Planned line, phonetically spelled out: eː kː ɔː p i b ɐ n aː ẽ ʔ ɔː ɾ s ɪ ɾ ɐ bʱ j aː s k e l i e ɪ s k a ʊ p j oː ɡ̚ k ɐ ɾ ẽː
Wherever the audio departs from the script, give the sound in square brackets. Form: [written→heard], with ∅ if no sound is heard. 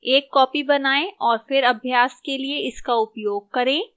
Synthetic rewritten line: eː kː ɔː p i b ɐ n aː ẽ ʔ ɔː ɾ [s→f] ɪ ɾ ɐ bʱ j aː s k e l i e ɪ s k a ʊ p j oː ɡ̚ k ɐ ɾ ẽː

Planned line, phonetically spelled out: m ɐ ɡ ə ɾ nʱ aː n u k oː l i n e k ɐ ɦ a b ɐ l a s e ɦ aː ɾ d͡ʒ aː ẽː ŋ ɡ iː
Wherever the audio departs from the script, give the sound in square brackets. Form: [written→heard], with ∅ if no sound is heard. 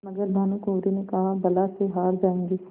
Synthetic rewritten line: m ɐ ɡ ə ɾ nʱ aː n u k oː [l→ɾ] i n e k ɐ ɦ a b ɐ l a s e ɦ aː ɾ d͡ʒ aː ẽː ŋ ɡ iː

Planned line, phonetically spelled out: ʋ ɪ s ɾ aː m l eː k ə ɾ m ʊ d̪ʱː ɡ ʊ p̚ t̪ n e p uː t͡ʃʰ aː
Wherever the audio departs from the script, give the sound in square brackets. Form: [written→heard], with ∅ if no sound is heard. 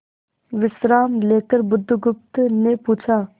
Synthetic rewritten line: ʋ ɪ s ɾ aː m l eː k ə ɾ [m→b] ʊ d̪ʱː ɡ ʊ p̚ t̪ n e p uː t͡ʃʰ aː

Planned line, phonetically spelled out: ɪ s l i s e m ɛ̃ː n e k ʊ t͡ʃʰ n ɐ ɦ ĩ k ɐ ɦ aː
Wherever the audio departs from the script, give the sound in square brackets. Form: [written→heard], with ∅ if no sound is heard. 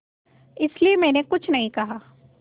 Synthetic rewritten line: ɪ s l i [s→∅] e m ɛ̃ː n e k ʊ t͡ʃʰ n ɐ ɦ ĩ k ɐ ɦ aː

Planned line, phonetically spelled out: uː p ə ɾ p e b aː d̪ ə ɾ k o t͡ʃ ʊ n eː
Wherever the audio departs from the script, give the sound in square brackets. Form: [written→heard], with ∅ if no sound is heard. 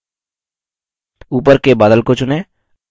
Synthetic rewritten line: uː p ə ɾ [p→k] e b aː d̪ ə [ɾ→l] k o t͡ʃ ʊ n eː

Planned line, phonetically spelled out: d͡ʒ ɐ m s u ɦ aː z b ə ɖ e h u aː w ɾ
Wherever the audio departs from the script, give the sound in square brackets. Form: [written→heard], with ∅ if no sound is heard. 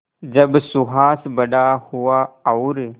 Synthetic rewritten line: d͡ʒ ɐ [m→b] s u ɦ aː [z→s] b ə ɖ [e→a] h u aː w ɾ

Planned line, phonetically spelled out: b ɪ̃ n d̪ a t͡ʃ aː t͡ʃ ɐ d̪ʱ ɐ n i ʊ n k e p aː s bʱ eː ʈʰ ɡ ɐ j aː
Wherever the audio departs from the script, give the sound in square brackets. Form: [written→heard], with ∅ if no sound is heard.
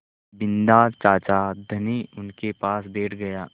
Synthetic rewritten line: b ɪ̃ n d̪ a t͡ʃ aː t͡ʃ [ɐ→a] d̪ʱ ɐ n i ʊ n k e p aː s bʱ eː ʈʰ ɡ ɐ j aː

